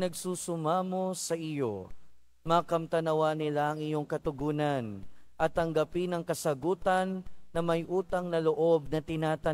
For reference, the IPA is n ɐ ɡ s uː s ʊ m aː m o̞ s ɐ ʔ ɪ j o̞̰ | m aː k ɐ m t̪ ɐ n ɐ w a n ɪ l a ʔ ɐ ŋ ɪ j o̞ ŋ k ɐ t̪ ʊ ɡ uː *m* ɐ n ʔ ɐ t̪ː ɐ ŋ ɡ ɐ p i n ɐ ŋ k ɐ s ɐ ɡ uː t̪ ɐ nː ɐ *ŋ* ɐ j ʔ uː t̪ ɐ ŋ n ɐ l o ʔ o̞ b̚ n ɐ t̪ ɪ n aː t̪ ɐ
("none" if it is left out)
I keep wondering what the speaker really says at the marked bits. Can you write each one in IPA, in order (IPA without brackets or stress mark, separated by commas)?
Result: n, m